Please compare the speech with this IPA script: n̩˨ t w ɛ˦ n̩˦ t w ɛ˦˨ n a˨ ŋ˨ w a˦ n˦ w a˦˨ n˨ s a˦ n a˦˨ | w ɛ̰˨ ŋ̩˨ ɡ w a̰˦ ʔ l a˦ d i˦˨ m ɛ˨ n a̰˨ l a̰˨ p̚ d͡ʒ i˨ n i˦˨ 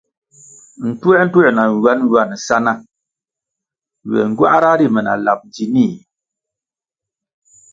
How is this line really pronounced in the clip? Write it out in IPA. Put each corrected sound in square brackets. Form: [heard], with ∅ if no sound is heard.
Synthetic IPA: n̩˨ t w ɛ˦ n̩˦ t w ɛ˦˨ n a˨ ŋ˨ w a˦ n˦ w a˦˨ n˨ s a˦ n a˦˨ | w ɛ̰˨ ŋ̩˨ ɡ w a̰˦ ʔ [ɾ] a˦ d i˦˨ m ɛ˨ n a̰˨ l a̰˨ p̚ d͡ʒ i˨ n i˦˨

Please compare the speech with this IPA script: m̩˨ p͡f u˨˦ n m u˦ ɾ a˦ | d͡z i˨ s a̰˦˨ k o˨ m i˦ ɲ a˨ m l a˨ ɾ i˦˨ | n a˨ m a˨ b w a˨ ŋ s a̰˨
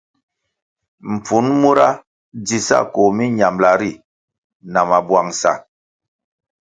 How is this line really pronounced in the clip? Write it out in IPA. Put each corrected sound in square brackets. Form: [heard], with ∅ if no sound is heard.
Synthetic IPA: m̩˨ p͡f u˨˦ n m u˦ ɾ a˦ | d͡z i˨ s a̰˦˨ k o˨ m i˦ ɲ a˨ m l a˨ ɾ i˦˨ | n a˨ m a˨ b w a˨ ŋ s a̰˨

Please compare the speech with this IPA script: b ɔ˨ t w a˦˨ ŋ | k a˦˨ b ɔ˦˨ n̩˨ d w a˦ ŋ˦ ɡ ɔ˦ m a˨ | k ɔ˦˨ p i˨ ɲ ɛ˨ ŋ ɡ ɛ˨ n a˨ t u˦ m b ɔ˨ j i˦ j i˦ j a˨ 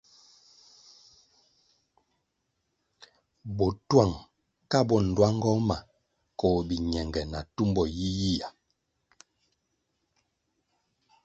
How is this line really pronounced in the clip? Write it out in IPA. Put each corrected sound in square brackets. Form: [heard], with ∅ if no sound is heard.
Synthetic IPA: b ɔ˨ t w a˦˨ ŋ | k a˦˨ b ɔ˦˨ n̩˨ d w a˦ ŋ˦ ɡ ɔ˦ m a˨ | k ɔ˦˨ [b] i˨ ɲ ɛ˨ ŋ ɡ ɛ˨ n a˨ t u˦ m b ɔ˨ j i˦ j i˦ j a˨

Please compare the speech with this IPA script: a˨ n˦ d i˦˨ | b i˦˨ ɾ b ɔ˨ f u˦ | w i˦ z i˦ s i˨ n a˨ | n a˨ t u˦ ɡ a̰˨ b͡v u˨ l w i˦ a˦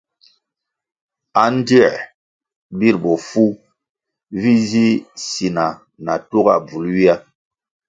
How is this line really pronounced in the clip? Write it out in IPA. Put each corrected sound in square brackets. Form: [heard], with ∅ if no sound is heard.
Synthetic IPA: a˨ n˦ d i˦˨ | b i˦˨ ɾ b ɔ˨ f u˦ | [v] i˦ z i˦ s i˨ n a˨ | n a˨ t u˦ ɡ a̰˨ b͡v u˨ l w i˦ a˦

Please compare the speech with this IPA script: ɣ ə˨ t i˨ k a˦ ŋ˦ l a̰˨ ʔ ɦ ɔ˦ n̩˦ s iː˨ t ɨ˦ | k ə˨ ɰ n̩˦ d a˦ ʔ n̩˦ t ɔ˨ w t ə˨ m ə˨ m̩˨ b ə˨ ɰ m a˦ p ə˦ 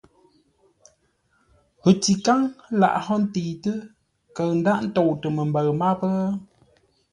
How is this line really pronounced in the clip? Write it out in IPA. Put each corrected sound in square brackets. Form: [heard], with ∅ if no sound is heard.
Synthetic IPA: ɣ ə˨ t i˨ k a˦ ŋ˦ l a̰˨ ʔ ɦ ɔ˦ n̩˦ [t] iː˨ t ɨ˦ | k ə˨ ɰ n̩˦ d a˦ ʔ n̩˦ t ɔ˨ w t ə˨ m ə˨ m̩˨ b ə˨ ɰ m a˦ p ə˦

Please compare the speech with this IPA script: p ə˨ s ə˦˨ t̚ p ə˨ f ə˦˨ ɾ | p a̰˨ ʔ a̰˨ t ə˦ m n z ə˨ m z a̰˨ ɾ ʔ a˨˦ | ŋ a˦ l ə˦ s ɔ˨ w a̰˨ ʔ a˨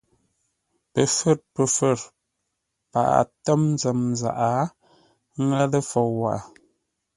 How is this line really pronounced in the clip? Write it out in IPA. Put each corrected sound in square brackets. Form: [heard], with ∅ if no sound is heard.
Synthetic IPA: p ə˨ [f] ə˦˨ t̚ p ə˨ f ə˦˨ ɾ | p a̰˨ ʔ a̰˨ t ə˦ m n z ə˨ m z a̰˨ [∅] ʔ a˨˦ | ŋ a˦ l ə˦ [f] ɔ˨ w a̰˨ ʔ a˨

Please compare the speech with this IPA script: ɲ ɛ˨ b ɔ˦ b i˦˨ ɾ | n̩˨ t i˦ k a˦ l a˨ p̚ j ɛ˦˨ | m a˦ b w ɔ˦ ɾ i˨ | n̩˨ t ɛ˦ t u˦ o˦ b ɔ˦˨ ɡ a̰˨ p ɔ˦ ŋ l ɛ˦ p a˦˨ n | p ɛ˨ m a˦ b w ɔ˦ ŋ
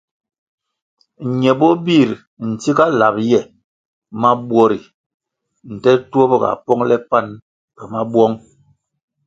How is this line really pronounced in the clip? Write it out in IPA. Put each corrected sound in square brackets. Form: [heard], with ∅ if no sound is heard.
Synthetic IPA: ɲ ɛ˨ b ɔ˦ b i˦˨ ɾ | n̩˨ t i˦ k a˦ l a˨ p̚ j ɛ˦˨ | m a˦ b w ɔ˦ ɾ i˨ | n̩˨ t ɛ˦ t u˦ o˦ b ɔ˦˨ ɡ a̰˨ p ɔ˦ ŋ l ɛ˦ p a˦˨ n | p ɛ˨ m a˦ b w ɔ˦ ŋ

